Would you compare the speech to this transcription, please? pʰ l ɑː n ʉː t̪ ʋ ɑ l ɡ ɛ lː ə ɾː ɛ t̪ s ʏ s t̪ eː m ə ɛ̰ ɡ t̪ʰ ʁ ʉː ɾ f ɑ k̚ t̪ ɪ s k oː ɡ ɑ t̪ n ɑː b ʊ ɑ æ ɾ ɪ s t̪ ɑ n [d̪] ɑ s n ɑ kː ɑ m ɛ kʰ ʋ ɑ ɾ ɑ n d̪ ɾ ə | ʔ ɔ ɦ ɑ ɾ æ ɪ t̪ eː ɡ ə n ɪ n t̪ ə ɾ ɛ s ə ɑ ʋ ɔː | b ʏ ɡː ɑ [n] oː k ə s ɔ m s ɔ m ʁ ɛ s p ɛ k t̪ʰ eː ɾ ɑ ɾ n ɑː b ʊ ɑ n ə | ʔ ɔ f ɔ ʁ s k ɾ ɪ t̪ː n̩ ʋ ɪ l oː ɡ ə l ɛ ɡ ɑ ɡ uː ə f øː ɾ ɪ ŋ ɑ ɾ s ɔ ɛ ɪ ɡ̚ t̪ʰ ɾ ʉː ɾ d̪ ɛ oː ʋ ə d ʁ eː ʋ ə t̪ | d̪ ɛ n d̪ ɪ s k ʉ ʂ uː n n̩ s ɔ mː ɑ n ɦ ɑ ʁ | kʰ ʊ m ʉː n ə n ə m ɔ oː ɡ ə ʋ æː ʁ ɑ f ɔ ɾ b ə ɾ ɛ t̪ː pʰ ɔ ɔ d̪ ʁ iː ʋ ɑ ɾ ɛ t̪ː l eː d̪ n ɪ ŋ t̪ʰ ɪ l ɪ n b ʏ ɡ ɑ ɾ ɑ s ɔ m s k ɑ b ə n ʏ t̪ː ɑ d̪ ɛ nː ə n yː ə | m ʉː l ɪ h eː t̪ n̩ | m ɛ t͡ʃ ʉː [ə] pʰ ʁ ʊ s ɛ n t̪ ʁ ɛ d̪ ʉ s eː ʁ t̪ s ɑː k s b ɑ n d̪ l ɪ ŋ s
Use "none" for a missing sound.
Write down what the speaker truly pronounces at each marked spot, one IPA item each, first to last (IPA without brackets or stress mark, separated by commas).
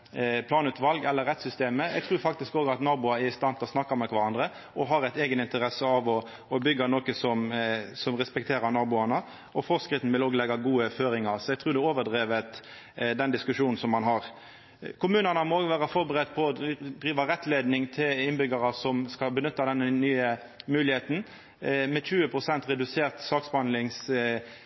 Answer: t̪, n, ə